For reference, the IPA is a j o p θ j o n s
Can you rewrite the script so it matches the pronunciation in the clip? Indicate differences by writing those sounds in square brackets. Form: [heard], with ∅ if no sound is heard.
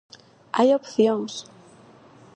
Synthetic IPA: a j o p θ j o [ŋ] s